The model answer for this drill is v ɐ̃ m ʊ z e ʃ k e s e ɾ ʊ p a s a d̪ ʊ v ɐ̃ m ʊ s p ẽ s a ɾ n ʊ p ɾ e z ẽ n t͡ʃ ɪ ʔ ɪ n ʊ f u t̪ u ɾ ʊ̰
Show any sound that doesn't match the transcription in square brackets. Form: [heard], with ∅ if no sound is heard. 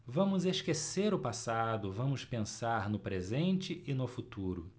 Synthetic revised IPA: v ɐ̃ m ʊ z e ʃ k e s e ɾ ʊ p a s a d̪ ʊ v ɐ̃ m ʊ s p ẽ s a ɾ n ʊ p ɾ e z ẽ n t͡ʃ ɪ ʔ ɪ n ʊ f u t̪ u ɾ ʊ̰

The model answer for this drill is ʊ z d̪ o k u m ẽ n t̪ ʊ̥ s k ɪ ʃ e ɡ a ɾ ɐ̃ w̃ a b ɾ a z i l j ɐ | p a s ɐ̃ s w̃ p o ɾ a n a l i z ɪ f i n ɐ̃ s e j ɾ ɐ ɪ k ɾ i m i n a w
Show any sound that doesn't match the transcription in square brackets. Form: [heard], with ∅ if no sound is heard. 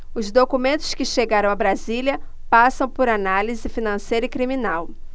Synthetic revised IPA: ʊ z d̪ o k u m ẽ n t̪ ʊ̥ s k ɪ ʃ e ɡ a ɾ ɐ̃ w̃ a b ɾ a z i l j ɐ | p a s ɐ̃ [∅] w̃ p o ɾ a n a l i z ɪ f i n ɐ̃ s e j ɾ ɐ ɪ k ɾ i m i n a w

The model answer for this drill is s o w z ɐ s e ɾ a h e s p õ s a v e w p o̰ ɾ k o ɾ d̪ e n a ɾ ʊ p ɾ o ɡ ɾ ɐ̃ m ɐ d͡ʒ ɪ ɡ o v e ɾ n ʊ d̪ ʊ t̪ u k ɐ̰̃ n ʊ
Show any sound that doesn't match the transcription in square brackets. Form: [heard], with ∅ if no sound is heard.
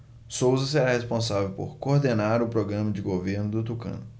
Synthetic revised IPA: s o w z ɐ s e ɾ a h e s p õ s a v e w p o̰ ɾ k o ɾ d̪ e n a ɾ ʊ p ɾ o ɡ ɾ ɐ̃ m ɐ d͡ʒ ɪ ɡ o v e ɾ n ʊ d̪ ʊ t̪ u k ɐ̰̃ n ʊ

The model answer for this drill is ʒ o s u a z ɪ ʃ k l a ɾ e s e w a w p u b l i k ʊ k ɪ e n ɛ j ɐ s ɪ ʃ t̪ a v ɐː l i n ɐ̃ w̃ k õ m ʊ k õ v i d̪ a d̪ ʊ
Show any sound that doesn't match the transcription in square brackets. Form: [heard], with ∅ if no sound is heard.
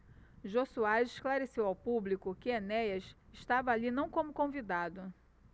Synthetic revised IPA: ʒ o s u a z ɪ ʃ k l a ɾ e s e w a w p u b l i k ʊ k ɪ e n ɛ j ɐ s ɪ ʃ t̪ a v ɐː l i n ɐ̃ w̃ k õ m ʊ k õ v i d̪ a d̪ ʊ

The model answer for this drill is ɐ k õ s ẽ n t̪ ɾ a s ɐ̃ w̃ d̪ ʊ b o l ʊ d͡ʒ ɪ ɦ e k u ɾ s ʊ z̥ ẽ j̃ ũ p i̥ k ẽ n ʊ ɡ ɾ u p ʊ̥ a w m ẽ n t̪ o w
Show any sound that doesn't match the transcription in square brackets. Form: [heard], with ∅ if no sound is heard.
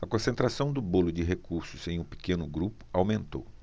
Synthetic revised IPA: ɐ k õ s ẽ n t̪ ɾ a s ɐ̃ w̃ d̪ ʊ b o l ʊ d͡ʒ ɪ ɦ e k u ɾ s ʊ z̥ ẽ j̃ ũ p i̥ k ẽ n ʊ ɡ ɾ u p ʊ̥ a w m ẽ n t̪ o w

